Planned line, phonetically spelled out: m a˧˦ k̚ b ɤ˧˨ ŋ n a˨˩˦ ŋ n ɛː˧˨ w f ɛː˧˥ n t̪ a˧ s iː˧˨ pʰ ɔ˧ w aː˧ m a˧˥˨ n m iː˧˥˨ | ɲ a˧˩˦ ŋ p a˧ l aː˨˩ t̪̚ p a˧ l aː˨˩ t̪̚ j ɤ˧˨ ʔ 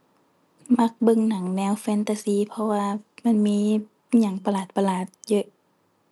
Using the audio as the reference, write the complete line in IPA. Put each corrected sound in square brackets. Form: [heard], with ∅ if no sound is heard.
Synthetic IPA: m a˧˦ k̚ b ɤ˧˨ ŋ n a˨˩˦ ŋ n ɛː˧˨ w f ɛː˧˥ n t̪ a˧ s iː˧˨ pʰ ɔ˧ w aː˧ m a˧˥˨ n m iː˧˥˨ | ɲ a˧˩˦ ŋ p a˧ l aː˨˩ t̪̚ p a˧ l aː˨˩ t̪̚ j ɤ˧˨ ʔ